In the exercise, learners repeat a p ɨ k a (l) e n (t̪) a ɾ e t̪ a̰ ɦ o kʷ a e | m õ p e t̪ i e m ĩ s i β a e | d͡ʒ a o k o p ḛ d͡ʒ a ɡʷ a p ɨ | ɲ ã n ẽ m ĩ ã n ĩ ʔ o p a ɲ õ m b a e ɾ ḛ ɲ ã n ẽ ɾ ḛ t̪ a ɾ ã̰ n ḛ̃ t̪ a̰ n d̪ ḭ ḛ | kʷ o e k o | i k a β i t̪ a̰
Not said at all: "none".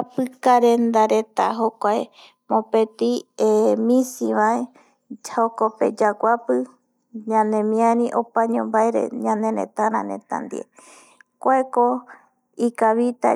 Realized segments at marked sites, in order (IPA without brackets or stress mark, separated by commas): ɾ, d̪